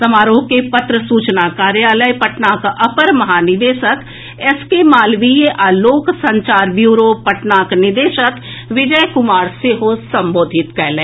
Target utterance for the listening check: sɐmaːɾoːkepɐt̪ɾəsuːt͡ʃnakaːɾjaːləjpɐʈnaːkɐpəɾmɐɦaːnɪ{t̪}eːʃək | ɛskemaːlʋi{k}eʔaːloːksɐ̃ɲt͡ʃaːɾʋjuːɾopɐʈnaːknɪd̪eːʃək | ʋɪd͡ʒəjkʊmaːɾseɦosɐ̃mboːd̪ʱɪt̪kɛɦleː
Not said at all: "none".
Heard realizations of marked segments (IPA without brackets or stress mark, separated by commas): d̪, none